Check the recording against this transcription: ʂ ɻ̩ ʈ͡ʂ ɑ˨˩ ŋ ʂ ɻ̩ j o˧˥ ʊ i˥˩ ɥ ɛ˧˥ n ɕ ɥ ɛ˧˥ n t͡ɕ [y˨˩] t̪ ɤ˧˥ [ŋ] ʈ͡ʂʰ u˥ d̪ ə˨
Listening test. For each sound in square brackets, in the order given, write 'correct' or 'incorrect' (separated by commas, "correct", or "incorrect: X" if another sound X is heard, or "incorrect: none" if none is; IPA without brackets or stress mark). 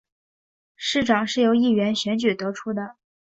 correct, incorrect: none